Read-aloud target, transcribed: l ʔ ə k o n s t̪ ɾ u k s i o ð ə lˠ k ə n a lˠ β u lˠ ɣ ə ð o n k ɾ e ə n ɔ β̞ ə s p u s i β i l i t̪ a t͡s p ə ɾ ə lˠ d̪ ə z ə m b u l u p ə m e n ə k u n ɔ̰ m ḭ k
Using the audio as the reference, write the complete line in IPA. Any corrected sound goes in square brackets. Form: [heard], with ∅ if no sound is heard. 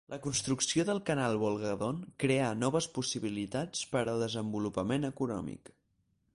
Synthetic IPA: l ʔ ə k [u] n s t̪ ɾ u k s i o ð ə lˠ k ə n a lˠ β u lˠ ɣ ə ð o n k ɾ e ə n ɔ β̞ ə s p u s i β i l i t̪ a t͡s p ə ɾ ə lˠ d̪ ə z ə m b u l u p ə m e n ə k u n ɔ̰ m ḭ k